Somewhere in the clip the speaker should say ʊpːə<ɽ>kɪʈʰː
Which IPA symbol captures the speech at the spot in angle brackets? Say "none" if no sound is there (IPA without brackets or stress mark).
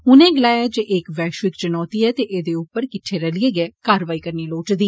ɾ